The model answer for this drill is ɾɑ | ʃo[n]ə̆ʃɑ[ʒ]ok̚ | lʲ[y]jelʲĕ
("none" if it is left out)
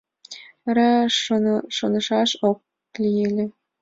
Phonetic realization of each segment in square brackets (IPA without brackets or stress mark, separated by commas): n, ʃ, i